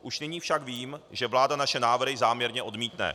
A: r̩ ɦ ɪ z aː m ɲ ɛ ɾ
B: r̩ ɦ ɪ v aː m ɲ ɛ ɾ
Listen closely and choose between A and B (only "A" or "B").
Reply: A